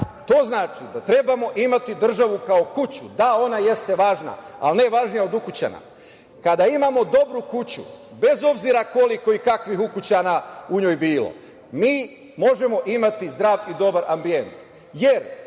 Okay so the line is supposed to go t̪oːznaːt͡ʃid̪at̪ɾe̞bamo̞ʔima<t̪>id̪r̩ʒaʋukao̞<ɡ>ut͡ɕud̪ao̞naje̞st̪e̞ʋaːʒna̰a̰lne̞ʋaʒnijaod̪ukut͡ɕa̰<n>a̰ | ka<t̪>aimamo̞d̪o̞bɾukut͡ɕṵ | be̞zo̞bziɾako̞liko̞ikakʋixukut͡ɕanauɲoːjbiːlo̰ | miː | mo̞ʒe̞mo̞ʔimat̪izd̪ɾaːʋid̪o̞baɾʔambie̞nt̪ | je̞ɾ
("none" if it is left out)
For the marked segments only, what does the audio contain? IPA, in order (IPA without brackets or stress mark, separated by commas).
t̪, k, n, d̪